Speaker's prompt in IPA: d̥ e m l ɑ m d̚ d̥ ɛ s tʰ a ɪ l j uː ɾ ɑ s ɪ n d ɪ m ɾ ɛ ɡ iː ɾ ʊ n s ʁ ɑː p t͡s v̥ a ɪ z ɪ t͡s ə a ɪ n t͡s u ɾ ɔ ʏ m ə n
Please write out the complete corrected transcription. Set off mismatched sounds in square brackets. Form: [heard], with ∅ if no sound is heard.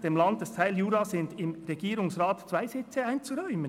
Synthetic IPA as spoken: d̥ e m l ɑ [n] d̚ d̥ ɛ s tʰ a ɪ l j uː ɾ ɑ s ɪ n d ɪ m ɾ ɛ ɡ iː ɾ ʊ [ŋ] s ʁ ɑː [t] t͡s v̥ a ɪ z ɪ t͡s ə a ɪ n t͡s u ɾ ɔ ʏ m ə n

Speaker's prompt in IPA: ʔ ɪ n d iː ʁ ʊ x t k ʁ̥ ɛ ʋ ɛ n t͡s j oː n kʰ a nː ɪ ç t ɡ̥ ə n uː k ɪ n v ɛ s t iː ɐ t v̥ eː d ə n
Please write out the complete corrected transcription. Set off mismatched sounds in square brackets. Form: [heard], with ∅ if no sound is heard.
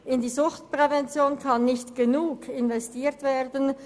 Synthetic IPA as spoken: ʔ ɪ n d iː [z] ʊ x t [p] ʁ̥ ɛ [v] ɛ n t͡s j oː n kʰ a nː ɪ ç t ɡ̥ ə n uː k ɪ n v ɛ s t iː ɐ t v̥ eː d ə n

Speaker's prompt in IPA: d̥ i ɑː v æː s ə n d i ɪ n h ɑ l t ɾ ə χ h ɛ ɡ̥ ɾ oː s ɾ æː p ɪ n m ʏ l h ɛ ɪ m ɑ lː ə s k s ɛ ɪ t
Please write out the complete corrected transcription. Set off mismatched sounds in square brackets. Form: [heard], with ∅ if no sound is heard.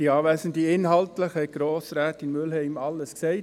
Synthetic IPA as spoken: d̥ i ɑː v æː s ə n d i ɪ n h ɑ l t [l] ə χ h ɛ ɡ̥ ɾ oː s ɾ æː [t] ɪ n m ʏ l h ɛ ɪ m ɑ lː ə s k s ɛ ɪ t

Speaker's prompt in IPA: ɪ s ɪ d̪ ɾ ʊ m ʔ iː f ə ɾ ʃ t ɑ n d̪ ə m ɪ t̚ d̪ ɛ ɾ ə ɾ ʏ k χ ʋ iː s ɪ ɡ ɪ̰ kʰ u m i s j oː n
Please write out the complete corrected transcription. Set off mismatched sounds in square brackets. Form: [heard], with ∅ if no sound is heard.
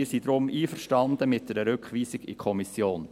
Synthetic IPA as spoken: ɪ s [i] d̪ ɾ ʊ m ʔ iː f ə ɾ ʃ t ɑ n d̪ ə m ɪ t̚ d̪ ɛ ɾ ə ɾ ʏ k χ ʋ iː s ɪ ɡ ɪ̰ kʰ [ɔ] m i s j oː n

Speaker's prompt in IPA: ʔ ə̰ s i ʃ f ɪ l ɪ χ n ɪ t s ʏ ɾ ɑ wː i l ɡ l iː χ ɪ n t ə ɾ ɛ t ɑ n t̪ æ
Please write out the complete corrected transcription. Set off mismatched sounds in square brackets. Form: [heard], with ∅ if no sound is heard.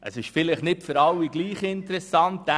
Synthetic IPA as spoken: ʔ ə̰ s [ɪ] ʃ f ɪ l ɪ χ n ɪ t [f] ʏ ɾ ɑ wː i [∅] ɡ l iː χ ɪ n t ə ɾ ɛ [s] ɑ n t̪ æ

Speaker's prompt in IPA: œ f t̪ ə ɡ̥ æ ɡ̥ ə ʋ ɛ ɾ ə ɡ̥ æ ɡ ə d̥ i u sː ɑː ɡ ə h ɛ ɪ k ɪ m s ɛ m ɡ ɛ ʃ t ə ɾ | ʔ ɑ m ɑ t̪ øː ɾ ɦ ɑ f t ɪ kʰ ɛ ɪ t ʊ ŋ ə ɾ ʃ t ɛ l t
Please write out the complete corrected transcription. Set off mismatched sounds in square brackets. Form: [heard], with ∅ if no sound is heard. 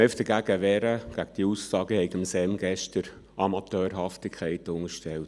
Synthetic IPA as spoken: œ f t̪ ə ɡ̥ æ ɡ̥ ə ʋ ɛ ɾ ə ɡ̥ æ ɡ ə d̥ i u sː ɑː ɡ ə h ɛ ɪ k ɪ m s ɛ m ɡ ɛ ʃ t ə ɾ | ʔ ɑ m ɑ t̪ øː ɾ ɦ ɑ f t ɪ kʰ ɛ ɪ t ʊ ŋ ə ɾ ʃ t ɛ l t

